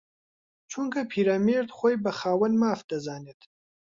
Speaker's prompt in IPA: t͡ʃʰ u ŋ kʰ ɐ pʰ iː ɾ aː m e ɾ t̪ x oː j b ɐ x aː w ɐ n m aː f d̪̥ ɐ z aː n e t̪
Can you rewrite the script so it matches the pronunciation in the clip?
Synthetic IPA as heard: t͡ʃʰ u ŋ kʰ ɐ pʰ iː ɾ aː m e ɾ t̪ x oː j b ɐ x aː w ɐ n m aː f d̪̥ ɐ z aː n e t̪